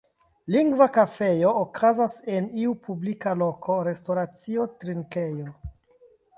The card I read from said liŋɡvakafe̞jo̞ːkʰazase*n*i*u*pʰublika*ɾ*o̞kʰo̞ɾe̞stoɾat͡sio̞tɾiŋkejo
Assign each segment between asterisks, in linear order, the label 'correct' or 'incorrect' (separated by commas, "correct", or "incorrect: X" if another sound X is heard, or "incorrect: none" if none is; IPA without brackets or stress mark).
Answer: correct, correct, incorrect: l